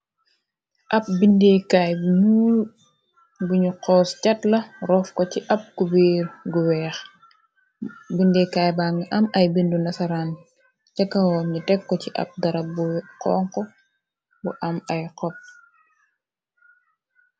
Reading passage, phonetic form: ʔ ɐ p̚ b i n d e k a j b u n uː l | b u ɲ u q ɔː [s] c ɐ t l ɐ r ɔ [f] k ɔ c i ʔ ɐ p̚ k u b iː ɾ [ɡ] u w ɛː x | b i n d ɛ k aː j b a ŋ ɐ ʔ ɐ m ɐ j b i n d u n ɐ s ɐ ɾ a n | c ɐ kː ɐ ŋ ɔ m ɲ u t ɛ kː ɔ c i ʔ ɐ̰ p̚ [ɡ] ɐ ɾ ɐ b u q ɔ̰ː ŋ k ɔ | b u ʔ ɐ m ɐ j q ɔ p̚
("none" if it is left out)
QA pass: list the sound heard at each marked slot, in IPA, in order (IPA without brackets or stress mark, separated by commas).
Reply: s, f, ɡ, d